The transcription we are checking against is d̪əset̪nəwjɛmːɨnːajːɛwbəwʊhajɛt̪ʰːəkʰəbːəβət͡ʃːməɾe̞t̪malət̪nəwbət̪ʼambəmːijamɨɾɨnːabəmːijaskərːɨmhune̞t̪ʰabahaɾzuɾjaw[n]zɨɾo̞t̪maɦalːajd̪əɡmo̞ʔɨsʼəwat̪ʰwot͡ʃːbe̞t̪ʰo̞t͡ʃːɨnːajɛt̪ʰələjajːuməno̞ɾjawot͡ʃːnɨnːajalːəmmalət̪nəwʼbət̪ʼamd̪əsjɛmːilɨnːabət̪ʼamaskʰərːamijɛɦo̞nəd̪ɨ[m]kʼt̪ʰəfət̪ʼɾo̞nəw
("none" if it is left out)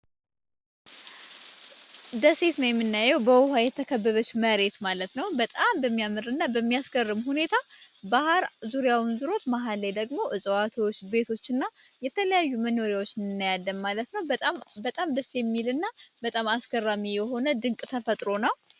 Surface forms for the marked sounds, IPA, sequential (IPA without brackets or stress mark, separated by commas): n, ŋ